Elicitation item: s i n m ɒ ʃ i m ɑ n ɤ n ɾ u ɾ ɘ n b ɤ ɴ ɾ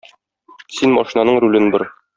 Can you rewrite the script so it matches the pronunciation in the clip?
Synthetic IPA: s i n m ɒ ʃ i n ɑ n ɤ ɴ ɾ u l ɘ n b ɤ ɾ

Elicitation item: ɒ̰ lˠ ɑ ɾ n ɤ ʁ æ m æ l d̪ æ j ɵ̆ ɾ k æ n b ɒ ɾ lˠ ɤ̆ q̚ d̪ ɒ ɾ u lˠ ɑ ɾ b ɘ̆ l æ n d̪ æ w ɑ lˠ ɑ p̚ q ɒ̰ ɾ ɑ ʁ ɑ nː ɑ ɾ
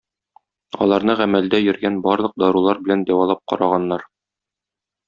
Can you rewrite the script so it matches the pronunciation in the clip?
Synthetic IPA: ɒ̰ lˠ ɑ ɾ n ɤ ʁ æ m æ l d̪ æ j ɵ̆ ɾ ɡ æ n b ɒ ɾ lˠ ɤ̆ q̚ d̪ ɒ ɾ u lˠ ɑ ɾ b ɘ̆ l æ n d̪ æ w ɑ lˠ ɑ p̚ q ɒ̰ ɾ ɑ ʁ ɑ nː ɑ ɾ

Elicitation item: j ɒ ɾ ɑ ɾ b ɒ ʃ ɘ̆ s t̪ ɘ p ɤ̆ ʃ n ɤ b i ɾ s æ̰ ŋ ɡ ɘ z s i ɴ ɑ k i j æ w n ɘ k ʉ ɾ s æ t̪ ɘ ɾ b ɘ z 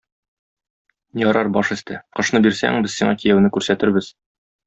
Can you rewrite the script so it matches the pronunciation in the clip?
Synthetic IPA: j ɒ ɾ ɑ ɾ b ɒ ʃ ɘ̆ s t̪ ɘ q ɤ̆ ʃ n ɤ b i ɾ s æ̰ ŋ b ɘ z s i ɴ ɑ k i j æ w n ɘ k ʉ ɾ s æ t̪ ɘ ɾ b ɘ z

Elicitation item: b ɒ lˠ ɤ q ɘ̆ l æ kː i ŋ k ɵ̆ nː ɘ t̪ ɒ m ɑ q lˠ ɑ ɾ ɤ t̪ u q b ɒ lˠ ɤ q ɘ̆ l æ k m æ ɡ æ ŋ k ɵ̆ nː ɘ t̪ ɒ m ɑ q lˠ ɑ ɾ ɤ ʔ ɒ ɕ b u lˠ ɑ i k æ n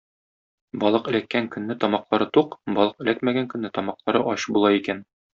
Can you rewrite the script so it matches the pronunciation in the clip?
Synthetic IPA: b ɒ lˠ ɤ q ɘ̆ l æ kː æ ŋ k ɵ̆ nː ɘ t̪ ɒ m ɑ q lˠ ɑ ɾ ɤ t̪ u q b ɒ lˠ ɤ q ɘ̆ l æ k m æ ɡ æ ŋ k ɵ̆ nː ɘ t̪ ɒ m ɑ q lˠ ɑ ɾ ɤ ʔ ɒ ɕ b u lˠ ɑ i k æ n

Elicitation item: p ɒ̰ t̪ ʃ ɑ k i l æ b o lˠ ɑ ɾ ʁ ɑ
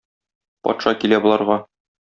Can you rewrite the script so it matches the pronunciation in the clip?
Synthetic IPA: p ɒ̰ t̪ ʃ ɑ k i l æ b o lˠ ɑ ɾ ʁ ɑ

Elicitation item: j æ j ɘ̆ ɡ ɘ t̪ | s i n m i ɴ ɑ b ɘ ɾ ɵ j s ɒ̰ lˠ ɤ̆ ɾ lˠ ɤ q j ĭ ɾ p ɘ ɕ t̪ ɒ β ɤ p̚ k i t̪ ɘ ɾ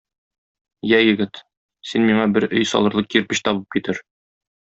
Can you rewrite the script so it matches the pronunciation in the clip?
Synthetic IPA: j æ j ɘ̆ ɡ ɘ t̪ | s i n m i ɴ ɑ b ɘ ɾ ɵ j s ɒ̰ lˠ ɤ̆ ɾ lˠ ɤ q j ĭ ɾ p ɘ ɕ t̪ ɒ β ɤ p̚ k i t̪ ɘ ɾ

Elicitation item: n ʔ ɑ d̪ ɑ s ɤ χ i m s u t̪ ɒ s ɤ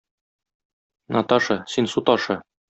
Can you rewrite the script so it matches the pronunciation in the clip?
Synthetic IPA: n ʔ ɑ t̪ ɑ ʃ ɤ s i n s u t̪ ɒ ʃ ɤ

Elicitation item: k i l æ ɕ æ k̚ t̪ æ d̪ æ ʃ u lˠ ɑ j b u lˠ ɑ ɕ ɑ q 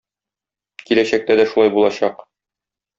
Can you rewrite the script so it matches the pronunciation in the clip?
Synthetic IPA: k i l æ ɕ æ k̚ t̪ æ d̪ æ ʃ u lˠ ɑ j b u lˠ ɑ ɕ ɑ q

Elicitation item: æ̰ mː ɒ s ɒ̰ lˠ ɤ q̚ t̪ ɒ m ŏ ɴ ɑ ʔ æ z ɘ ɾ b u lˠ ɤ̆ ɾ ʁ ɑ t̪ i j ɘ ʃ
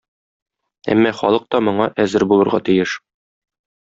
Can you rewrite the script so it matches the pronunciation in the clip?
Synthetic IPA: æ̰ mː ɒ χ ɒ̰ lˠ ɤ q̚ t̪ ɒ m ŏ ɴ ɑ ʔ æ z ɘ ɾ b u lˠ ɤ̆ ɾ ʁ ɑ t̪ i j ɘ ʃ

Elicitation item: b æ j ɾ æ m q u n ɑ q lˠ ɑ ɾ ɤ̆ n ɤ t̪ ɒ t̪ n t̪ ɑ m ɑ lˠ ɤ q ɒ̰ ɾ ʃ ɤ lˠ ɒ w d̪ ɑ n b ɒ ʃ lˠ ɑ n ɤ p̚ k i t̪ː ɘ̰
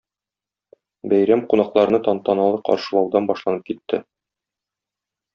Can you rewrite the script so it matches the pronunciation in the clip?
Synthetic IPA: b æ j ɾ æ m q u n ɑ q lˠ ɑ ɾ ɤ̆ n ɤ t̪ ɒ n t̪ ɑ n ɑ lˠ ɤ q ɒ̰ ɾ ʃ ɤ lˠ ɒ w d̪ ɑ n b ɒ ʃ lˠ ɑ n ɤ p̚ k i t̪ː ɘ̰

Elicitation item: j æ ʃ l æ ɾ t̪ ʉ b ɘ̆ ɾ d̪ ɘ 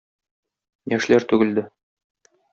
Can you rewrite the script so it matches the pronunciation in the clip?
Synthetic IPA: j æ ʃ l æ ɾ t̪ ʉ ɡ ɘ̆ l d̪ ɘ

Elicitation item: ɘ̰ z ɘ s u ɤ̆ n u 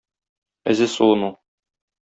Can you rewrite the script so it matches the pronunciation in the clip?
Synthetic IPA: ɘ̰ z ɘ s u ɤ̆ n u

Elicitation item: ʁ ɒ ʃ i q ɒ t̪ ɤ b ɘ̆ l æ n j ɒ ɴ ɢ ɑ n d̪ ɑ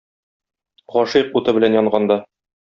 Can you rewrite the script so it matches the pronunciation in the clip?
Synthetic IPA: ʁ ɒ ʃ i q u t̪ ɤ b ɘ̆ l æ n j ɒ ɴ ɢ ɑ n d̪ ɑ

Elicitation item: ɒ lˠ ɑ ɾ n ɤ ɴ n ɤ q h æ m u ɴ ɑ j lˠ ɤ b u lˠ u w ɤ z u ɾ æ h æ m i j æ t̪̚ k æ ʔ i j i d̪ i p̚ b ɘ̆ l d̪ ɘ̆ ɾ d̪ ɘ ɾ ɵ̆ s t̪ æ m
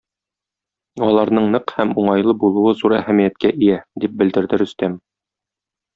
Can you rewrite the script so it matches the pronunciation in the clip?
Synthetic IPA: ɒ lˠ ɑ ɾ n ɤ ɴ n ɤ q h æ m u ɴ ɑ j lˠ ɤ b u lˠ u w ɤ z u ɾ æ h æ m i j æ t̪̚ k æ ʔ i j æ d̪ i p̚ b ɘ̆ l d̪ ɘ̆ ɾ d̪ ɘ ɾ ɵ̆ s t̪ æ m

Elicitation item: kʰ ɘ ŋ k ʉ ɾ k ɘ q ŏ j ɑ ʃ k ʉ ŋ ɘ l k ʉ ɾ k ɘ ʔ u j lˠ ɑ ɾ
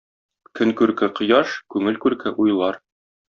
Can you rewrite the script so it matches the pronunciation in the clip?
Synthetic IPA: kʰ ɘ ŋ k ʉ ɾ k ɘ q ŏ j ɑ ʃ k ʉ ŋ ɘ l k ʉ ɾ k ɘ ʔ u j lˠ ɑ ɾ

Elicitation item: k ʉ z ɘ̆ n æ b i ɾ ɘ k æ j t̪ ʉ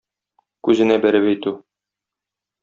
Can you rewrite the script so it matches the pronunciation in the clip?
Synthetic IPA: k ʉ z ɘ̆ n æ b æ ɾ ɘ p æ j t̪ ʉ

